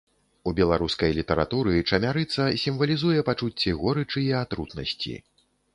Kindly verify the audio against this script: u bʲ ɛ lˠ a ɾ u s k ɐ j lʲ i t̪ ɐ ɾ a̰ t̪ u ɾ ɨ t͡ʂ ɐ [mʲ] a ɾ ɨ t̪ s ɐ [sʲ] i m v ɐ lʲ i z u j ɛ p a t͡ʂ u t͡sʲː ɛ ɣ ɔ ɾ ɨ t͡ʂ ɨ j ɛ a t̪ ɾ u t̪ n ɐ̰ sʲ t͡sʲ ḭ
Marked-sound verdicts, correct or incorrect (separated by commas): correct, correct